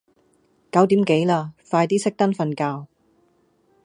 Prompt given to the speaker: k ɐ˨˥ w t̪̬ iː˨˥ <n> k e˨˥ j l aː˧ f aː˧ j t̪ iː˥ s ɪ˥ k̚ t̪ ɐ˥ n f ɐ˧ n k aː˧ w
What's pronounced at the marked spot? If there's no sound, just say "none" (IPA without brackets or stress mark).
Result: m